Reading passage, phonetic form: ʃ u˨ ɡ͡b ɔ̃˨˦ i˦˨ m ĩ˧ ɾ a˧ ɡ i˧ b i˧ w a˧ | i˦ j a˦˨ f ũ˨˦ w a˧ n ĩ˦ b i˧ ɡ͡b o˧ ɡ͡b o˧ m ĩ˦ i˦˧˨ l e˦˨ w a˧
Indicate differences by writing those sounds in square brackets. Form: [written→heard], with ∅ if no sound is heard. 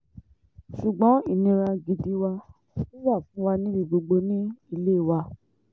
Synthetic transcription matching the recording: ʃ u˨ ɡ͡b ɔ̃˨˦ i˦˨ [m→n] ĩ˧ ɾ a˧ ɡ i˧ [b→d] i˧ w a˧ | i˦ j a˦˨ f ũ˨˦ w a˧ n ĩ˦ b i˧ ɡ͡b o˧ ɡ͡b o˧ [m→n] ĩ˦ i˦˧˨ l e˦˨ w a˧

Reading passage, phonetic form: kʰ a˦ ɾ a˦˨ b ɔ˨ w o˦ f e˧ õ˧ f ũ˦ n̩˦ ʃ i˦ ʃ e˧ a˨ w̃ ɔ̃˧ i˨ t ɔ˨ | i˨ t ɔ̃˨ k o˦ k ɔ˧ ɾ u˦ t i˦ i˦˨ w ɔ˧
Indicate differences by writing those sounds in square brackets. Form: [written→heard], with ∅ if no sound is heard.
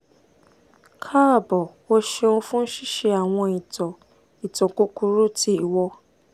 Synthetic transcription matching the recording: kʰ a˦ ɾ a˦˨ b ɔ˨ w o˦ [f→ʃ] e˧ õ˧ f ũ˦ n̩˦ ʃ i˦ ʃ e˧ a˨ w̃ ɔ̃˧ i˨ t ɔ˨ | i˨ t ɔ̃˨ k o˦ k [ɔ˧→u˧] ɾ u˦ t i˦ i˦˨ w ɔ˧

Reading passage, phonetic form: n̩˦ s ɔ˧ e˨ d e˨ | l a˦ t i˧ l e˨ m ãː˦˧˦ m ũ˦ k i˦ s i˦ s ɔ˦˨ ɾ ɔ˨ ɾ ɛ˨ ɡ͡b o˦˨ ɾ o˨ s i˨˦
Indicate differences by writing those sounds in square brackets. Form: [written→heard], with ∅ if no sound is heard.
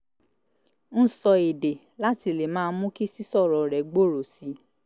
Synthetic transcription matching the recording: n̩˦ s ɔ˧ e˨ d e˨ | l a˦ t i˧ l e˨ m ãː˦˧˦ m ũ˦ k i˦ s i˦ s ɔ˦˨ ɾ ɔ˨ ɾ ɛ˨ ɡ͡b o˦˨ ɾ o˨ s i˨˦

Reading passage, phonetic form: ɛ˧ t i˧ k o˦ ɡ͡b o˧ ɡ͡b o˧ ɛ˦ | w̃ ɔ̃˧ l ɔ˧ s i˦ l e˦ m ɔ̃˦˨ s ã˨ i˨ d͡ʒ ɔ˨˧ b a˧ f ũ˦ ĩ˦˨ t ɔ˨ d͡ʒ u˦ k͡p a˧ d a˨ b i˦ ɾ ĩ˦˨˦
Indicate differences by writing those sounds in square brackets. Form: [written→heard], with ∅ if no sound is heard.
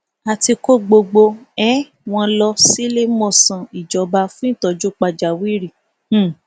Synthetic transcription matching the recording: [ɛ˧→a˧] t i˧ k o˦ ɡ͡b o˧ ɡ͡b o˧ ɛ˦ | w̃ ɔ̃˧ l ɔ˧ s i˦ l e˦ m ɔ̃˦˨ s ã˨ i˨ d͡ʒ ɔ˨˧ b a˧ f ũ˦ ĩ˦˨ t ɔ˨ d͡ʒ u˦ k͡p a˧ [d→d͡ʒ] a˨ [b→w] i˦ ɾ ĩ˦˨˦

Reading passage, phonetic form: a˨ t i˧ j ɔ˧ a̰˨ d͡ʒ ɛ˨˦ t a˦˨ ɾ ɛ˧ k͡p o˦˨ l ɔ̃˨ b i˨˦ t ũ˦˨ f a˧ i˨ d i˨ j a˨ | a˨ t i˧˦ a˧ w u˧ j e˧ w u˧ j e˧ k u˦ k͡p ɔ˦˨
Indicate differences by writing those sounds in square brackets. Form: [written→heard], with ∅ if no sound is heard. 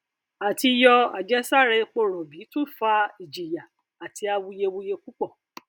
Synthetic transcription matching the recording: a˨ t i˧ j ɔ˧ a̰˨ d͡ʒ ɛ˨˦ [t→s] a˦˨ ɾ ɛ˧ k͡p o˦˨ [l→ɾ] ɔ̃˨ b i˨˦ t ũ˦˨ f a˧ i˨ [d→d͡ʒ] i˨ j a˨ | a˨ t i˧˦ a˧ w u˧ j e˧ w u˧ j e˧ k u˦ k͡p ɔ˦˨

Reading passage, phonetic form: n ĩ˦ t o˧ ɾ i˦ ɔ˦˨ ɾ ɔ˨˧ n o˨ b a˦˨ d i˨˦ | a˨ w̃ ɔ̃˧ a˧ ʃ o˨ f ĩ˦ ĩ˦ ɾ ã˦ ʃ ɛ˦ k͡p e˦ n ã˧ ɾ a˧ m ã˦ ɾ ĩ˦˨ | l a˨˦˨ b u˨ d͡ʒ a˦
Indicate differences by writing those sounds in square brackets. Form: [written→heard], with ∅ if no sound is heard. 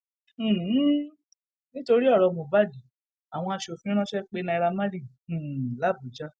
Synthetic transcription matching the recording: n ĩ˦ t o˧ ɾ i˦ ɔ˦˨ ɾ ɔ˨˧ [n→m] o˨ b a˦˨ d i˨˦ | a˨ w̃ ɔ̃˧ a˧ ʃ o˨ f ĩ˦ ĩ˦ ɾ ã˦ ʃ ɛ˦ k͡p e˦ n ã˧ ɾ a˧ m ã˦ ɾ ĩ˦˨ | l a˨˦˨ b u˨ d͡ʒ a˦

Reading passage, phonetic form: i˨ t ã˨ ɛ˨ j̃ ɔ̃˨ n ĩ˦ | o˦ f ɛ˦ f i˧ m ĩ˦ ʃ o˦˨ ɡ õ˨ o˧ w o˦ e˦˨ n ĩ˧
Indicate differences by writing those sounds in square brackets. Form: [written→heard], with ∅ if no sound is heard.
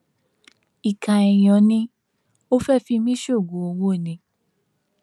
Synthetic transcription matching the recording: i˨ [t→k] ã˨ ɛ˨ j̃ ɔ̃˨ n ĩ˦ | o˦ f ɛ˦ f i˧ m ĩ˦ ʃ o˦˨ ɡ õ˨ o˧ w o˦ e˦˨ n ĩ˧

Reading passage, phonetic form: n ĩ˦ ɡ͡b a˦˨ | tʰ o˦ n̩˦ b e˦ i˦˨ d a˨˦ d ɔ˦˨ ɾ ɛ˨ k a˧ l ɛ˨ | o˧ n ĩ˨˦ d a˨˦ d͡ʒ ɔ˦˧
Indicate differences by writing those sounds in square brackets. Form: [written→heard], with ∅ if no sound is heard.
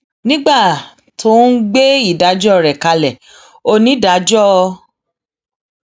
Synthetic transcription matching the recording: n ĩ˦ ɡ͡b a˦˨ | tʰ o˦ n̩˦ [b→ɡ͡b] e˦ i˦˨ d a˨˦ [d→d͡ʒ] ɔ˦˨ ɾ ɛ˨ k a˧ l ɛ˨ | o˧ n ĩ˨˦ d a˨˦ d͡ʒ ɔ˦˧

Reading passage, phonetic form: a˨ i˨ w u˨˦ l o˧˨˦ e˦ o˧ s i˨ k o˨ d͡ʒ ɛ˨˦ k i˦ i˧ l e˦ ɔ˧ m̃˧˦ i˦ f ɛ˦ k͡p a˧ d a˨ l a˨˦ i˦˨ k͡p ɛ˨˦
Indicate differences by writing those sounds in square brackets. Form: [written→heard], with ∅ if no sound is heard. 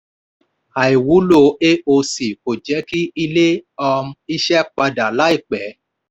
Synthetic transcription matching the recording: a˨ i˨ w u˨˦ l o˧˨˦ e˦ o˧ s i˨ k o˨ d͡ʒ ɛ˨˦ k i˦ i˧ l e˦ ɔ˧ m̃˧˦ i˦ [f→ʃ] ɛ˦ k͡p a˧ d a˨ l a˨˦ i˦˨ k͡p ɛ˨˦

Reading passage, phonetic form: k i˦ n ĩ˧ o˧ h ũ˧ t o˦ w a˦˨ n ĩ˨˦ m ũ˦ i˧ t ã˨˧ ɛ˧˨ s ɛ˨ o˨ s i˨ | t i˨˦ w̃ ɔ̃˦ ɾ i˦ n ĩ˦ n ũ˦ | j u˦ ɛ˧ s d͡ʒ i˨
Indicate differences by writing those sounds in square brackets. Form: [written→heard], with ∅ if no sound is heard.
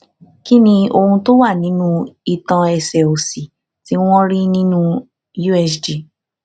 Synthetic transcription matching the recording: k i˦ n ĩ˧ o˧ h ũ˧ t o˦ w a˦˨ n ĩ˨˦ [m→n] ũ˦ i˧ t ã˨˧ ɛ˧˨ s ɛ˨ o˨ s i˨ | t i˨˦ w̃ ɔ̃˦ ɾ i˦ n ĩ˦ n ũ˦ | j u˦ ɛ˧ s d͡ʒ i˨

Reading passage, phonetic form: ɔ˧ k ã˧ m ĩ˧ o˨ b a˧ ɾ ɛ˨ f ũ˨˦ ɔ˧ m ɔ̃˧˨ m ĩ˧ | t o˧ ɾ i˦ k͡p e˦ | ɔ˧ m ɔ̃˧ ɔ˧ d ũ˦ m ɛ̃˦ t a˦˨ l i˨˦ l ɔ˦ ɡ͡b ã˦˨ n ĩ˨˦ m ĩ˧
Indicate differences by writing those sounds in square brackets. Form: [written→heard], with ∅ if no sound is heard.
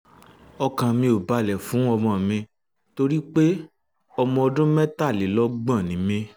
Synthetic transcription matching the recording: ɔ˧ k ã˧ m ĩ˧ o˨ b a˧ [ɾ→l] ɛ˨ f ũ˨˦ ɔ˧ m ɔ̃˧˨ m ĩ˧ | t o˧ ɾ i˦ k͡p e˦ | ɔ˧ m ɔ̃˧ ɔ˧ d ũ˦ m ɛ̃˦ t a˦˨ l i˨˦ l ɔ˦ ɡ͡b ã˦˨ n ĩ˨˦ m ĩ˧

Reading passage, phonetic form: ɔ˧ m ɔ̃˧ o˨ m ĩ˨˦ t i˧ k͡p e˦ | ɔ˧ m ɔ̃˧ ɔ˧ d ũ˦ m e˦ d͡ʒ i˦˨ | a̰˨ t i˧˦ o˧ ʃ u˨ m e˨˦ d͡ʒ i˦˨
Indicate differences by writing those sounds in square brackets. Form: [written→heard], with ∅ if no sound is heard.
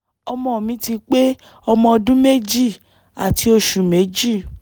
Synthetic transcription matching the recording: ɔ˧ m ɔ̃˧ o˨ m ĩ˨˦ t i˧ k͡p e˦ | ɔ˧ m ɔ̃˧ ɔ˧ d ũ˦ m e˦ d͡ʒ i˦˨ | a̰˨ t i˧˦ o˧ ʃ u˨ m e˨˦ d͡ʒ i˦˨

